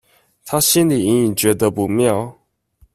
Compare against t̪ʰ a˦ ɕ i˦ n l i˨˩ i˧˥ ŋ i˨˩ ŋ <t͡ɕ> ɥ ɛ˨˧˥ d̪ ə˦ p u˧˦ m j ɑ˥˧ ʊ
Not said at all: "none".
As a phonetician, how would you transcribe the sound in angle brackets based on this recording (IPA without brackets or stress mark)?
t͡ɕ